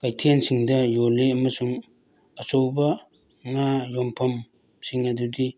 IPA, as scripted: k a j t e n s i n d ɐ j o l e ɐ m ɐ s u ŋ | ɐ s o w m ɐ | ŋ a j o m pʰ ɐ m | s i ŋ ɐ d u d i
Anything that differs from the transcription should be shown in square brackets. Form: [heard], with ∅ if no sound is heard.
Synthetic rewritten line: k a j [tʰ] e n s i [ŋ] d ɐ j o l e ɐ m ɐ s u ŋ | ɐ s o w [b] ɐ | ŋ a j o m pʰ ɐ m | s i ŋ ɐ d u d i